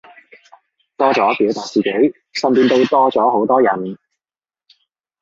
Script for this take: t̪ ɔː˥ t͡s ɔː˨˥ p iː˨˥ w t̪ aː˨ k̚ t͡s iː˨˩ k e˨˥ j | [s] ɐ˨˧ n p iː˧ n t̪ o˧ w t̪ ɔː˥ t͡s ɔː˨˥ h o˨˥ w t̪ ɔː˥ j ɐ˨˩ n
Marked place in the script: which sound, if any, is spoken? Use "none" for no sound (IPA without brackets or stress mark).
s